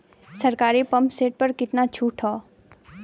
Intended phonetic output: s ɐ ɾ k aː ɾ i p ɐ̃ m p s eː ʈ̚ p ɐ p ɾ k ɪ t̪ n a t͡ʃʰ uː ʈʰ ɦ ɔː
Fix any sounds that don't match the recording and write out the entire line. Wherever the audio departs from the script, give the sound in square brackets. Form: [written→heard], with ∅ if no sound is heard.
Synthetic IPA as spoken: s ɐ ɾ k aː ɾ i p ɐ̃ m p s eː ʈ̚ p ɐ [p→∅] ɾ k ɪ t̪ n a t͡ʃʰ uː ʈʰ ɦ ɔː